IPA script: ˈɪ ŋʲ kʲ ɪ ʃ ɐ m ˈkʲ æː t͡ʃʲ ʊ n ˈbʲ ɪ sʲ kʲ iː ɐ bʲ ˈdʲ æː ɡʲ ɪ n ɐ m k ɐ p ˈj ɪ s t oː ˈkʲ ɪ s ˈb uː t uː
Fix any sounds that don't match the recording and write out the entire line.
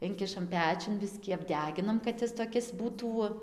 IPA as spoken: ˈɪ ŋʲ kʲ ɪ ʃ ɐ m ˈpʲ æː t͡ʃʲ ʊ n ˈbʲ ɪ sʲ kʲ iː ɐ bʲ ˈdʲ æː ɡʲ ɪ n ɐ m k ɐ t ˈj ɪ s t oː ˈkʲ ɪ s ˈb uː t uː